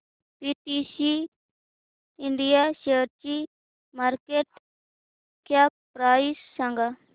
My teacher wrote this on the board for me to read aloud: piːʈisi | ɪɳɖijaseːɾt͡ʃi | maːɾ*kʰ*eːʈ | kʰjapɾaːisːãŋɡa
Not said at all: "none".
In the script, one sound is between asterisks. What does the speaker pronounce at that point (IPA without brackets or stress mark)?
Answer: k